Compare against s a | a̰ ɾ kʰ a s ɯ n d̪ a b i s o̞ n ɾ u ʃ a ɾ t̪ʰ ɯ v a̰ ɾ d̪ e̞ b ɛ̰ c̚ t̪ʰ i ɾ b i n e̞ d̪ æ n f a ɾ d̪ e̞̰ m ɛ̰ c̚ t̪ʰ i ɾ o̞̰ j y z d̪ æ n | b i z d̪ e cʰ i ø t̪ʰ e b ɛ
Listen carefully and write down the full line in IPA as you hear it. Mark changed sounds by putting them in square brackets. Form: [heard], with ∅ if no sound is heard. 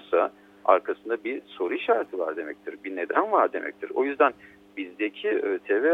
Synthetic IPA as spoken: s a | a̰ ɾ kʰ a s ɯ n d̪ a b i s o̞ [∅] ɾ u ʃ a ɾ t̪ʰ ɯ v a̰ ɾ d̪ e̞ [m] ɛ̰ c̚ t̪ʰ i ɾ b i n e̞ d̪ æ n [v] a ɾ d̪ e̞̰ m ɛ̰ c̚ t̪ʰ i ɾ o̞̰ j y z d̪ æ n | b i z d̪ e cʰ i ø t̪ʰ e [v] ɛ